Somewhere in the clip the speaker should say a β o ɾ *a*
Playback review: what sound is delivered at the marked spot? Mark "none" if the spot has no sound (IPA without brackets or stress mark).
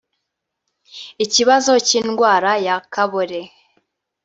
e